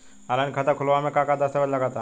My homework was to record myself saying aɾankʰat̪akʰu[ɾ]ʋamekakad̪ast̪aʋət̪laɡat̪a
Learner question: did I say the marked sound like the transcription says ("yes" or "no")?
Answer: no